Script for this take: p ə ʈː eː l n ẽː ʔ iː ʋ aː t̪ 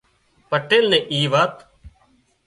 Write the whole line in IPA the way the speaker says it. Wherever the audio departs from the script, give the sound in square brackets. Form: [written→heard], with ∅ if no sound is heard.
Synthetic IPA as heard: p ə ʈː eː l n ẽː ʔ iː ʋ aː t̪